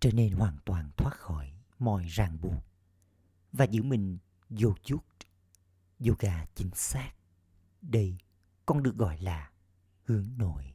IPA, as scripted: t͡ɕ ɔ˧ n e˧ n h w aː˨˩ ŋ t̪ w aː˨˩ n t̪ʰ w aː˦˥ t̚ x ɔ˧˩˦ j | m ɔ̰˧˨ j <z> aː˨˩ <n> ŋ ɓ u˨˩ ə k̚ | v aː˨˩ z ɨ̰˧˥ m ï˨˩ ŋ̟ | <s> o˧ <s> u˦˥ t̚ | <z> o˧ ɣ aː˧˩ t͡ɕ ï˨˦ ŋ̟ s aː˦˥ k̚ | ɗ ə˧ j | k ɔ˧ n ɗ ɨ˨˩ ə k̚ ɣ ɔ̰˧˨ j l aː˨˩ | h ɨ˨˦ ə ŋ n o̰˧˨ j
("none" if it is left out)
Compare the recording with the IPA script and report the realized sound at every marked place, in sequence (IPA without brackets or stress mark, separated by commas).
z, none, z, z, z